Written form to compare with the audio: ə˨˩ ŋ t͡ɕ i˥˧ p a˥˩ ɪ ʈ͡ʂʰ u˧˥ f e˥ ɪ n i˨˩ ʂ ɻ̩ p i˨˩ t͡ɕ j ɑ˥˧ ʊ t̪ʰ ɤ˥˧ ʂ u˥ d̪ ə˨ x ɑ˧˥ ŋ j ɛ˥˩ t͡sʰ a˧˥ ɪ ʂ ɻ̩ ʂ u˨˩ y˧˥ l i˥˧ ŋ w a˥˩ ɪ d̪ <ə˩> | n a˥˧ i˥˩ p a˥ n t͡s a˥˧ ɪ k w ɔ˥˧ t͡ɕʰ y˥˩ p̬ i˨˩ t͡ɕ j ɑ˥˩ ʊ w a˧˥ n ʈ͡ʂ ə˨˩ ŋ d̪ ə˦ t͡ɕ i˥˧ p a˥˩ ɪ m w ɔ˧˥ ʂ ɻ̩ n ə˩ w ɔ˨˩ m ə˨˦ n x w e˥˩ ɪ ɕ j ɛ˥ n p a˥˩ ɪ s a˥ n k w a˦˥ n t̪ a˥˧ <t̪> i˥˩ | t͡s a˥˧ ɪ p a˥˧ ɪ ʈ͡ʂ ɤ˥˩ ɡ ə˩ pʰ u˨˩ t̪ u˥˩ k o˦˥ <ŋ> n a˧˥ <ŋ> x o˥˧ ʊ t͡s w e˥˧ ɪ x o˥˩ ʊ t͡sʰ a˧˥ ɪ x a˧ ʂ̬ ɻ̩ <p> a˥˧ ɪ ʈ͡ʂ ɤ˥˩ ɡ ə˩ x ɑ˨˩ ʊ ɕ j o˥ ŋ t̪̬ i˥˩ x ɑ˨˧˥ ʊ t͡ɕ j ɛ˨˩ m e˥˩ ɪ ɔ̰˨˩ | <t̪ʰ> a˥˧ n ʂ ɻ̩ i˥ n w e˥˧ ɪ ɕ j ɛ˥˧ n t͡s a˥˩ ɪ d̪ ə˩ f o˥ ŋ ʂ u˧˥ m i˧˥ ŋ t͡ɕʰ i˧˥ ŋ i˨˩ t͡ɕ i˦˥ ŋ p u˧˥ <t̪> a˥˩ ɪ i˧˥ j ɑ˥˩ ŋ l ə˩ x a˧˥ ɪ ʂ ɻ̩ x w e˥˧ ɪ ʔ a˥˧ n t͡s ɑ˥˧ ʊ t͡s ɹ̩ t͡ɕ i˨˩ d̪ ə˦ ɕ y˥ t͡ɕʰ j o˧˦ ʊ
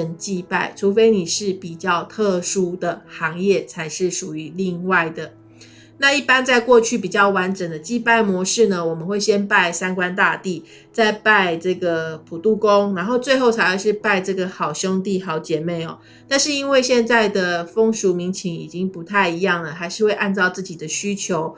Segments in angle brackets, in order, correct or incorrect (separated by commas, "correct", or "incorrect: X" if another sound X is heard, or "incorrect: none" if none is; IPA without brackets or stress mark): correct, correct, correct, incorrect: n, correct, incorrect: t̪, incorrect: t̪ʰ